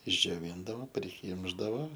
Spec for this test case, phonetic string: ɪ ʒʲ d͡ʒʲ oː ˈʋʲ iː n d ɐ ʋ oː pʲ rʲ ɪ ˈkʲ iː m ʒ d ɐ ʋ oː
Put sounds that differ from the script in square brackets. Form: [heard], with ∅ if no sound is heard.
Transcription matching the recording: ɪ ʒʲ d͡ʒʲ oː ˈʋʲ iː n d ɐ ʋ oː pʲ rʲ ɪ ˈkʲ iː m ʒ d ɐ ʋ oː